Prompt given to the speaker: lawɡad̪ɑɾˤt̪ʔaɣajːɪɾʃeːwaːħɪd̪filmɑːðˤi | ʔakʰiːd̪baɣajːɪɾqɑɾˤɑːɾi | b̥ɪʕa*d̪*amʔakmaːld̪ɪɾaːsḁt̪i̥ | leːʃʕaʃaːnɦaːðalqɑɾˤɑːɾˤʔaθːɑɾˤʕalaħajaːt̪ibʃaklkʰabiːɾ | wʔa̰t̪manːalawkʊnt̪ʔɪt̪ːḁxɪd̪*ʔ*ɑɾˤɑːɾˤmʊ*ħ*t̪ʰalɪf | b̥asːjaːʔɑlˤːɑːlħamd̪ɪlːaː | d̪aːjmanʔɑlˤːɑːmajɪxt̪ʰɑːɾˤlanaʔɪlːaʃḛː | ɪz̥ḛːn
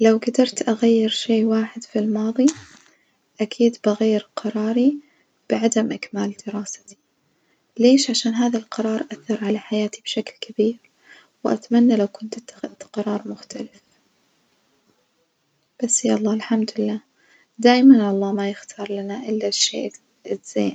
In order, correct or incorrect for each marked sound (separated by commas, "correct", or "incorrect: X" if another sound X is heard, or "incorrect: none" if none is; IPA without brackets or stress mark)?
correct, incorrect: q, incorrect: x